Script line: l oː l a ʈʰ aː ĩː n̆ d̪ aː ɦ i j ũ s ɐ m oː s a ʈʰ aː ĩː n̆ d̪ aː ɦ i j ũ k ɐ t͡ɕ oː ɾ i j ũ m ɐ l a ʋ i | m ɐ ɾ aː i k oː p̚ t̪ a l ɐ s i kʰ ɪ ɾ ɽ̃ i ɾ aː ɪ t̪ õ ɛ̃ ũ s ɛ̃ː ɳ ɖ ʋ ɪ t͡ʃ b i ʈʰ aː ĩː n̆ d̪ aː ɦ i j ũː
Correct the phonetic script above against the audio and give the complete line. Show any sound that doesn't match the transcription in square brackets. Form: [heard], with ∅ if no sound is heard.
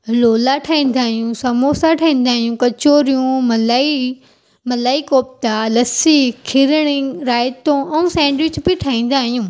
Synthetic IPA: l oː l a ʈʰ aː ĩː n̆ d̪ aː ɦ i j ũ s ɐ m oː s a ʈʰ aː ĩː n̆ d̪ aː ɦ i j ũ k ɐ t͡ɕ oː ɾ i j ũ m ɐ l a [∅] i | m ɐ [l] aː i k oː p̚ t̪ a l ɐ s i kʰ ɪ ɾ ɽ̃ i ɾ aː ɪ t̪ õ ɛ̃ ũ s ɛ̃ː ɳ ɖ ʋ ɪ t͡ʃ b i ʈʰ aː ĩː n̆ d̪ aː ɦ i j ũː

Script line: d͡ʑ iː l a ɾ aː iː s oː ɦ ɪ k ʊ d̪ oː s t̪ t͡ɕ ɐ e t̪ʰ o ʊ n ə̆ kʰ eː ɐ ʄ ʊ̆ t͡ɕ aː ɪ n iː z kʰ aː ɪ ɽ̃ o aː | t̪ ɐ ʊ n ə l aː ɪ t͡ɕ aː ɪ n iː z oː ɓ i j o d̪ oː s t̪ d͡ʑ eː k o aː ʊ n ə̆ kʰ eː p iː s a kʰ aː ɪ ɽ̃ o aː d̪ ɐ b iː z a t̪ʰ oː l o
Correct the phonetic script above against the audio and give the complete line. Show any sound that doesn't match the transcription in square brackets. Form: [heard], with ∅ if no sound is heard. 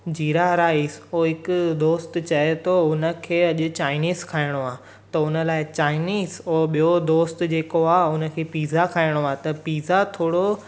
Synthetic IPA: d͡ʑ iː [ɾ] a ɾ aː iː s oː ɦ ɪ k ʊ d̪ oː s t̪ t͡ɕ ɐ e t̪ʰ o ʊ n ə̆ kʰ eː ɐ ʄ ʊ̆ t͡ɕ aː ɪ n iː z kʰ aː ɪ ɽ̃ o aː | t̪ ɐ ʊ n ə l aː ɪ t͡ɕ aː ɪ n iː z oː ɓ i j o d̪ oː s t̪ d͡ʑ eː k o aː ʊ n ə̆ kʰ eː p iː [z] a kʰ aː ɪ ɽ̃ o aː [t̪] ɐ [p] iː z a t̪ʰ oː [ɽ] o

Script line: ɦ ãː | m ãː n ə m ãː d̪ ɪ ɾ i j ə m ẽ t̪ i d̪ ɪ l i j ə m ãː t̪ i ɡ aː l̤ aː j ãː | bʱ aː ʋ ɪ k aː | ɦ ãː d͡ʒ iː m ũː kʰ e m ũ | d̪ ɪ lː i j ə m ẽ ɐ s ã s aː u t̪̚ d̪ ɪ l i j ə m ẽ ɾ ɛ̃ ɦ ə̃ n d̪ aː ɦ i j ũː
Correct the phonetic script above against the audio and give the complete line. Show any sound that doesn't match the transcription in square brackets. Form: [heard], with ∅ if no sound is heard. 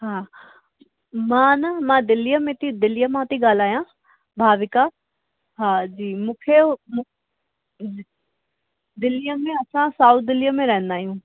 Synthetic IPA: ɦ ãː | m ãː n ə m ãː d̪ ɪ [l] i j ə m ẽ t̪ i d̪ ɪ l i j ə m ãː t̪ i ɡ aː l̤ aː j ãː | bʱ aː ʋ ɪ k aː | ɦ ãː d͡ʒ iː m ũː kʰ e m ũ | d̪ ɪ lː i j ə m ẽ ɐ s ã s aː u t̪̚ d̪ ɪ l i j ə m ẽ ɾ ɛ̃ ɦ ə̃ n d̪ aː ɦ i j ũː

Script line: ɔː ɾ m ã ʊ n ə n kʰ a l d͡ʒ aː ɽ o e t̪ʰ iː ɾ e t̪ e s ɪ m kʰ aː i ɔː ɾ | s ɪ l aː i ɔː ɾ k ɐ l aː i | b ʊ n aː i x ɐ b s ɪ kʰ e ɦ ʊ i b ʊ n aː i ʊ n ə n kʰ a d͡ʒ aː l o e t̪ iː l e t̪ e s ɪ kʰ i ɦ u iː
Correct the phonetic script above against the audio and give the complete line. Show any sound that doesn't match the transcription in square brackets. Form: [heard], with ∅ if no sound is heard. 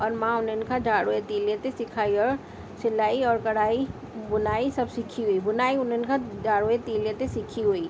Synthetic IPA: ɔː ɾ m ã ʊ n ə n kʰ a [∅] d͡ʒ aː ɽ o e [t̪] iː [l] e t̪ e s ɪ [∅] kʰ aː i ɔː ɾ | s ɪ l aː i ɔː ɾ k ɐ [ɽ] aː i | b ʊ n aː i [s] ɐ b s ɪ kʰ [i] ɦ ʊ i b ʊ n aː i ʊ n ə n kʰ a d͡ʒ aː [ɽ] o e t̪ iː l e t̪ e s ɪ kʰ i ɦ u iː

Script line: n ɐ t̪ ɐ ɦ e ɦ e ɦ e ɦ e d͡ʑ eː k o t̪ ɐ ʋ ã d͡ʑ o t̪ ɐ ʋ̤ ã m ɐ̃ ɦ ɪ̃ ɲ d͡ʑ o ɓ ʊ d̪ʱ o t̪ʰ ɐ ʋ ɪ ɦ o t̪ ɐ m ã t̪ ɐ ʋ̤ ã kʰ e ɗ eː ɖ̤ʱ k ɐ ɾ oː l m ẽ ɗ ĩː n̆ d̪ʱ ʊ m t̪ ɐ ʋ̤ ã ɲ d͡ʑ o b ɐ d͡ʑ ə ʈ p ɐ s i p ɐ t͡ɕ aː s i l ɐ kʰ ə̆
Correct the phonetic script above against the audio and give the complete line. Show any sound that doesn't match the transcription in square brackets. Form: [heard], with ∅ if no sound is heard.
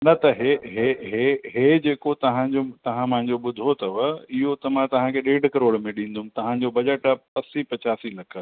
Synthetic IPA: n ɐ t̪ ɐ ɦ e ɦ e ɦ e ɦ e d͡ʑ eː k o t̪ ɐ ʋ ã d͡ʑ o t̪ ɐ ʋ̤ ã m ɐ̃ ɦ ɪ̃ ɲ d͡ʑ o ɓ ʊ d̪ʱ o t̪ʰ ɐ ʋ ɪ ɦ o t̪ ɐ m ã t̪ ɐ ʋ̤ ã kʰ e ɗ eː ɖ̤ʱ k ɐ ɾ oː [ɽ] m ẽ ɗ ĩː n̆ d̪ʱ ʊ m t̪ ɐ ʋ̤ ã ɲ d͡ʑ o b ɐ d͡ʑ ə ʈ p ɐ s i p ɐ t͡ɕ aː s i l ɐ kʰ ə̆

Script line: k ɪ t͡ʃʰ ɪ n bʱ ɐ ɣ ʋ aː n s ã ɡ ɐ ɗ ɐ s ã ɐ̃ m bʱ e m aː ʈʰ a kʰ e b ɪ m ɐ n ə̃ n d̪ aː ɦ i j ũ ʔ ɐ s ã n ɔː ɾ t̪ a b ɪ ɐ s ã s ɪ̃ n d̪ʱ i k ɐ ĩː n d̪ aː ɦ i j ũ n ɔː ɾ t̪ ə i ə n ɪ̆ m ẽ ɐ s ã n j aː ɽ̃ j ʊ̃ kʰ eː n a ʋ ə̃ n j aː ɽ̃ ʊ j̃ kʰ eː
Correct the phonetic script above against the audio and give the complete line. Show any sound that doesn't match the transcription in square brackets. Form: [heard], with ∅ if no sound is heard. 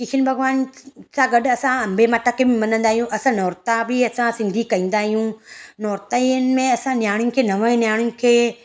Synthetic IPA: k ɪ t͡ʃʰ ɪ n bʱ ɐ ɣ ʋ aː n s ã ɡ ɐ ɗ ɐ s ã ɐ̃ m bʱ e m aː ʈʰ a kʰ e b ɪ m ɐ n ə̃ n d̪ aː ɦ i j ũ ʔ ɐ s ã n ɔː ɾ t̪ a b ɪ ɐ s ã s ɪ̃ n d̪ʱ i k ɐ ĩː n d̪ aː ɦ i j ũ n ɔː ɾ t̪ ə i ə n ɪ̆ m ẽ ɐ s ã n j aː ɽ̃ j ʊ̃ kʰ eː n [ɐ] ʋ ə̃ n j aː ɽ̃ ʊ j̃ kʰ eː

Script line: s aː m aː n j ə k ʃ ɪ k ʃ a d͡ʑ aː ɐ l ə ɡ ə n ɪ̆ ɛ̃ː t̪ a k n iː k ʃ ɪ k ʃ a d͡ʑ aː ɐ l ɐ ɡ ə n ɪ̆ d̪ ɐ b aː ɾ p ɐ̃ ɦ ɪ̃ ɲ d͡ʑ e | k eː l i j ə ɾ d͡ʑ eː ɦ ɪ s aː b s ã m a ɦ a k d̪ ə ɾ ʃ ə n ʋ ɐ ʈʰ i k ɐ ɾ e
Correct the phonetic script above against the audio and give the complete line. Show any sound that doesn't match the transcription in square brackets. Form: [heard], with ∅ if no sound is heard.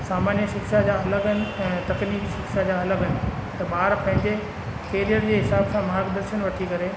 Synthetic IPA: s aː m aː n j ə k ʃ ɪ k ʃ a d͡ʑ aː ɐ l ə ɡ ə n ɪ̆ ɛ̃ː t̪ [ɐ] k n iː k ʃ ɪ k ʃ a d͡ʑ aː ɐ l [ə] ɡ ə n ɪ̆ [t̪] ɐ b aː ɾ p ɐ̃ ɦ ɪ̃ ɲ d͡ʑ e | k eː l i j ə ɾ d͡ʑ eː ɦ ɪ s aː b s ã m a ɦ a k d̪ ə ɾ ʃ ə n ʋ ɐ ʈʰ i k ɐ ɾ e

